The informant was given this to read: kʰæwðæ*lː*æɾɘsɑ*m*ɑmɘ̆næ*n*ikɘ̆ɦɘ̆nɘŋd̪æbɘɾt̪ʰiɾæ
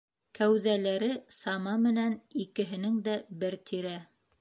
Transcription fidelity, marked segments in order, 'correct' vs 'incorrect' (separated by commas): incorrect, correct, correct